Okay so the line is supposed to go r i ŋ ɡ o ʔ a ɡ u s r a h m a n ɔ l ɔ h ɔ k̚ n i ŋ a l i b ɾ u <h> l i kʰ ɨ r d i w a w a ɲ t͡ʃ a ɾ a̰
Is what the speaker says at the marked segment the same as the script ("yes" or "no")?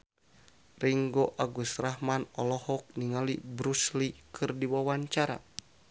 no